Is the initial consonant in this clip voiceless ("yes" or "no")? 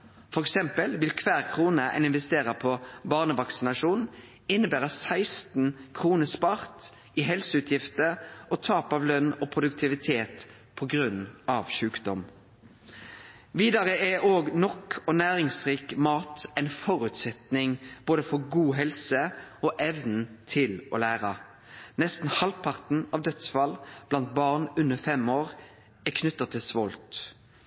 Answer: yes